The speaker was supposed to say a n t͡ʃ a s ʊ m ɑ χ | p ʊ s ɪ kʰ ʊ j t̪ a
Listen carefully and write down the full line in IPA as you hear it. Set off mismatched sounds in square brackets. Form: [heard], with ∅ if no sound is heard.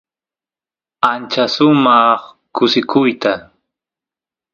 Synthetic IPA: a n t͡ʃ a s ʊ m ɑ χ | [k] ʊ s ɪ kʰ ʊ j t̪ a